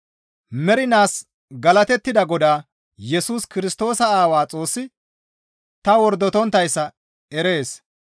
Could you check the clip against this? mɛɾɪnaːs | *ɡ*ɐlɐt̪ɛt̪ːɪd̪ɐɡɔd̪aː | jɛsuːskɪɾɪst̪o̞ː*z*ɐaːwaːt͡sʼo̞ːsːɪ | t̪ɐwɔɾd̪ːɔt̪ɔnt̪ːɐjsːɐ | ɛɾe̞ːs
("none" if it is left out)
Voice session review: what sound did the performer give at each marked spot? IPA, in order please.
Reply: ɡ, s

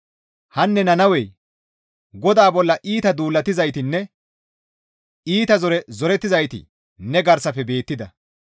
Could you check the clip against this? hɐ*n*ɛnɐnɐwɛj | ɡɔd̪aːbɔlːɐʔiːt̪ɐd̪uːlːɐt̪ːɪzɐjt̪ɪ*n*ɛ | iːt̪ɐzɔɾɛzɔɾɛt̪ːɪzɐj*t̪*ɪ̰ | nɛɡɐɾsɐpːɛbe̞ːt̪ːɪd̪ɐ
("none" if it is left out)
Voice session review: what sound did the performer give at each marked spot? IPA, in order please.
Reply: nː, nː, t̪

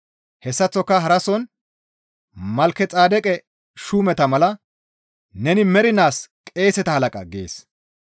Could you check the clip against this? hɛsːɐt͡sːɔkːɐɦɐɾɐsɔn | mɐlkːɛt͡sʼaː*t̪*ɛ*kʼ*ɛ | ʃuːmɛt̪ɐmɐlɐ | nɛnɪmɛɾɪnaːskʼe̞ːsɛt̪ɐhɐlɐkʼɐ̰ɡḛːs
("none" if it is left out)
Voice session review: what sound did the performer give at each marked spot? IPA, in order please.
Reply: d̪, kʼ

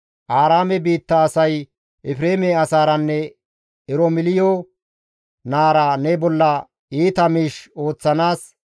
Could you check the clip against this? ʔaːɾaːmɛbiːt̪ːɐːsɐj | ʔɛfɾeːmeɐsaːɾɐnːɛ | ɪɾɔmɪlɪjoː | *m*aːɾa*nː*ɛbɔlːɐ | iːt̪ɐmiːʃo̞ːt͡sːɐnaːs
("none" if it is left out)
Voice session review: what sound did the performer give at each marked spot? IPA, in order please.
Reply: n, n

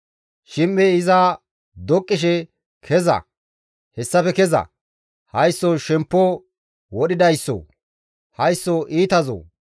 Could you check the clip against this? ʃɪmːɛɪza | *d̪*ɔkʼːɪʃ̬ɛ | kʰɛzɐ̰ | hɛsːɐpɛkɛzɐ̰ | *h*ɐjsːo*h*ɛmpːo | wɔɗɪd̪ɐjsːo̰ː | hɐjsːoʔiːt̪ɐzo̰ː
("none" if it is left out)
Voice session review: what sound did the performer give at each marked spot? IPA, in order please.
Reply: d̪, h, ʃ

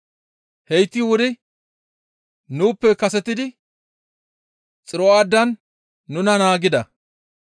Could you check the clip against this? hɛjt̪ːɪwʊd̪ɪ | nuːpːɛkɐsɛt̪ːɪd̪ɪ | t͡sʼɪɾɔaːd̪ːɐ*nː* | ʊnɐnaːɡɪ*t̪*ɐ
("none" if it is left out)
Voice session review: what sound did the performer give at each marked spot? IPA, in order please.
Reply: nː, d̪

